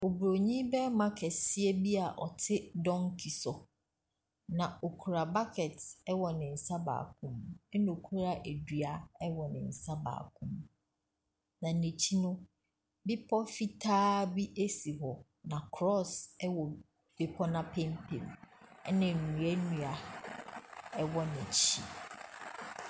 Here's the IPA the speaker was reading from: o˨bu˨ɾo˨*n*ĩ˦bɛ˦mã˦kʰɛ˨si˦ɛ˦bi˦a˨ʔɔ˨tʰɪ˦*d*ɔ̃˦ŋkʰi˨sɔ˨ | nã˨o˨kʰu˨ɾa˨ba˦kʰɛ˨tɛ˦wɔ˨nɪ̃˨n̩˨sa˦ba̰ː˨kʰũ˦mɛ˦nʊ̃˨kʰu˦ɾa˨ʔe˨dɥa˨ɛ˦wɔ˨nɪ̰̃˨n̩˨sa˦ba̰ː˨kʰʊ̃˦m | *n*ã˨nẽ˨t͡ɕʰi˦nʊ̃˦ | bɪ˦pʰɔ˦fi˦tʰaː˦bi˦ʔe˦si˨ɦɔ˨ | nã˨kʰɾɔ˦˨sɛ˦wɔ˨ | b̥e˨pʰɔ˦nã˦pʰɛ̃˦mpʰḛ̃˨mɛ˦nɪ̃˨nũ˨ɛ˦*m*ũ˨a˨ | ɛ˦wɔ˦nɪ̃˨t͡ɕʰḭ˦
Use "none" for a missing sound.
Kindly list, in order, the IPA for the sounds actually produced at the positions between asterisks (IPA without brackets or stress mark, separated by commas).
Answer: ɲ, d, n, n